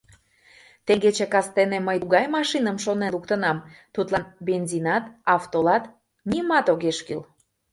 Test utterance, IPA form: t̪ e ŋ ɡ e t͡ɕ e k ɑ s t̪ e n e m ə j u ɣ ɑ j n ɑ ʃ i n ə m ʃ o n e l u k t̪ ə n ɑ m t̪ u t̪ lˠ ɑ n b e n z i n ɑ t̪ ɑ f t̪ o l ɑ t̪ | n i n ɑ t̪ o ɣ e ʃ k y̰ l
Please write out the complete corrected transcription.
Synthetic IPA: t̪ e ŋ ɡ e t͡ɕ e k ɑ s t̪ e n e m ə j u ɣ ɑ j m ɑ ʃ i n ə m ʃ o n e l u k t̪ ə n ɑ m t̪ u t̪ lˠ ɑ n b e n z i n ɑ t̪ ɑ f t̪ o l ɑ t̪ | n i m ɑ t̪ o ɣ e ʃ k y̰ l